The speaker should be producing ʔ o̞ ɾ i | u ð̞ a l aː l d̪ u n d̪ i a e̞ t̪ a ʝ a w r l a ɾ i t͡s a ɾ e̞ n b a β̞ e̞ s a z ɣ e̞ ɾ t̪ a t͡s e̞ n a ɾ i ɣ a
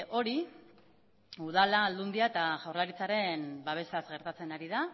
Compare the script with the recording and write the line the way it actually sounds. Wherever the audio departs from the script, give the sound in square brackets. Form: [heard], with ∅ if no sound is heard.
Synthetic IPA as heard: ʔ o̞ ɾ i | u ð̞ a l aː l d̪ u n d̪ i a e̞ t̪ a ʝ a w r l a ɾ i t͡s a ɾ e̞ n b a β̞ e̞ s a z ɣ e̞ ɾ t̪ a t͡s e̞ n a ɾ i [ð] a